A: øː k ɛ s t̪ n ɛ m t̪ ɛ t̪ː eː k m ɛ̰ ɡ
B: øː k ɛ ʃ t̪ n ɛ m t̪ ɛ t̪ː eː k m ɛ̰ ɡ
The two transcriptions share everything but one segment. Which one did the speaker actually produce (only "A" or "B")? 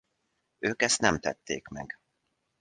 A